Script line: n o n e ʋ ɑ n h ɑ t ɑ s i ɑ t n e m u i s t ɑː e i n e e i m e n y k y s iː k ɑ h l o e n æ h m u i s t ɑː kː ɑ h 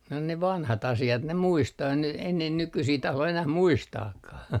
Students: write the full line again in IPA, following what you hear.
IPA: n o n e ʋ ɑ n h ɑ t ɑ s i ɑ t n e m u i s t ɑː e i n e e i n e n y k y s iː t ɑ h l o e n æ h m u i s t ɑː kː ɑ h